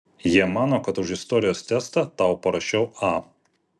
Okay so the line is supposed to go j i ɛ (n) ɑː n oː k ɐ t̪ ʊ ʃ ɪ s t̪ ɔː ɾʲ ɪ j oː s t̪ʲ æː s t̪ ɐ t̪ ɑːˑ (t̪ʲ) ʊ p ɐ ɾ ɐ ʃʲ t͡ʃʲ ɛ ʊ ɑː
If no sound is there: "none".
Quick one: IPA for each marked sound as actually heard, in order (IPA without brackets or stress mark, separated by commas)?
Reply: m, none